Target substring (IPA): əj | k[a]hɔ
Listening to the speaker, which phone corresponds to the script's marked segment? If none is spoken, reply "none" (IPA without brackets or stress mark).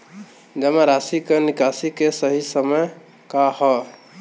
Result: a